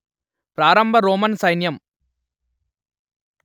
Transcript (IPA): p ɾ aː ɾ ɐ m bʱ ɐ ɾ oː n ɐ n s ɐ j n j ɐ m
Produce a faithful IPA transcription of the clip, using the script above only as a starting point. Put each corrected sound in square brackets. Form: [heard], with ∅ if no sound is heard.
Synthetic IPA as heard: p ɾ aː ɾ ɐ m bʱ ɐ ɾ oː [m] ɐ n s ɐ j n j ɐ m